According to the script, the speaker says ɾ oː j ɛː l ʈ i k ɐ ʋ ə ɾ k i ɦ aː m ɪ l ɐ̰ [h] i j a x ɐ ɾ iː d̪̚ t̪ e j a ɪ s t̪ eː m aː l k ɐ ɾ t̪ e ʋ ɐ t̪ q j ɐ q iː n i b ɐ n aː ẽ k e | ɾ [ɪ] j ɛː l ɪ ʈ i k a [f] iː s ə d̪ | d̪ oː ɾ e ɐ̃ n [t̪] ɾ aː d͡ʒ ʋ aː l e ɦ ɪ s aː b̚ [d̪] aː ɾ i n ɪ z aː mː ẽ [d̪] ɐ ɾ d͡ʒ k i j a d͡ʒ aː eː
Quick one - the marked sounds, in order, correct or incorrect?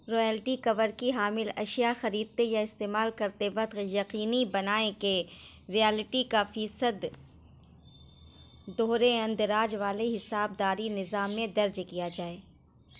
incorrect: ʃ, incorrect: i, correct, incorrect: d̪, correct, correct

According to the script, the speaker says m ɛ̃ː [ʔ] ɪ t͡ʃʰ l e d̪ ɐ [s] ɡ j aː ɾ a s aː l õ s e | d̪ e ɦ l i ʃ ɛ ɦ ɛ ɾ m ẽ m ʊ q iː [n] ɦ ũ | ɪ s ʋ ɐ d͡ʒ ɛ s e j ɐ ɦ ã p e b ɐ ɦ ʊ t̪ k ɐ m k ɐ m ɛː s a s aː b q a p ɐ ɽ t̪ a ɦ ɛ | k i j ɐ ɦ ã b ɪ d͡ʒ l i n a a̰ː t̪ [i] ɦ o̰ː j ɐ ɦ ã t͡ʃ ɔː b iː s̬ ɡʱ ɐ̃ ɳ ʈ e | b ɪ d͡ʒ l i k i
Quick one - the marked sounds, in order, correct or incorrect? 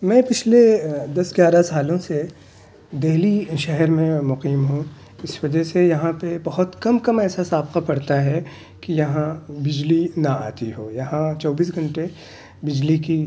incorrect: p, correct, incorrect: m, correct

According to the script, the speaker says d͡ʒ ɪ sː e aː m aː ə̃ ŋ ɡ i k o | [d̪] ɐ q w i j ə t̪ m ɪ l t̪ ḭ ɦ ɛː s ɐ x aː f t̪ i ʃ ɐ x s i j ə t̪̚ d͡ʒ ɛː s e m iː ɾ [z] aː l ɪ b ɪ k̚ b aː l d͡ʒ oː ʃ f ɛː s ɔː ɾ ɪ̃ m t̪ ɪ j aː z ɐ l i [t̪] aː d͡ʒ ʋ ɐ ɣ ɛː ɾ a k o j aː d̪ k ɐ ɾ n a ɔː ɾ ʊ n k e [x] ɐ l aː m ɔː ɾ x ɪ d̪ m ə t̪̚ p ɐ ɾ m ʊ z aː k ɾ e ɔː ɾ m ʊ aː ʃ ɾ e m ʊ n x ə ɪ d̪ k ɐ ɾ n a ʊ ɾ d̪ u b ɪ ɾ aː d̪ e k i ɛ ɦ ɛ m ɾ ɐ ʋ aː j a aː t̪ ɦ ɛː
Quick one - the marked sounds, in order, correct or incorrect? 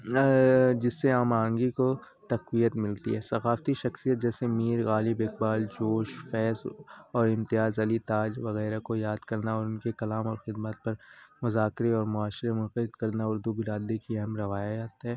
incorrect: t̪, incorrect: ɣ, correct, incorrect: k

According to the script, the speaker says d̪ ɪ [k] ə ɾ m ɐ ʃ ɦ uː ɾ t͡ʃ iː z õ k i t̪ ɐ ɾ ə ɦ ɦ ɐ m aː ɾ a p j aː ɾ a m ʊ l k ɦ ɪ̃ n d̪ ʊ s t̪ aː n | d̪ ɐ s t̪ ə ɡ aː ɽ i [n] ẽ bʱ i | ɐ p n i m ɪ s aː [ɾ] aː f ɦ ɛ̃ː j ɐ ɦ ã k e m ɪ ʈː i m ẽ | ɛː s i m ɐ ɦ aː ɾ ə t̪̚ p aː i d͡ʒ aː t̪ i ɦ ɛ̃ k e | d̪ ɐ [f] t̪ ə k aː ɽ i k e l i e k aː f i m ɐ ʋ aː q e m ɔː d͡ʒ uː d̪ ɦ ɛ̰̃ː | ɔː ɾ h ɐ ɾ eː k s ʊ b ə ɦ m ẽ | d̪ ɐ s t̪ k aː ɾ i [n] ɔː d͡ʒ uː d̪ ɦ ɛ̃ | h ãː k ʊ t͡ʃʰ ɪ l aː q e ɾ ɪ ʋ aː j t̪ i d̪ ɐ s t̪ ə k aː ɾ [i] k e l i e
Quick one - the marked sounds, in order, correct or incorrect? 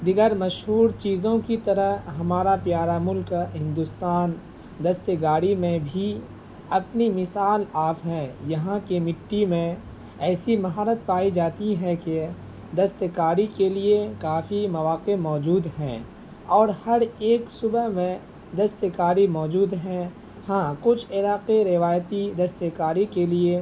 incorrect: ɡ, incorrect: m, incorrect: l, incorrect: s, incorrect: m, correct

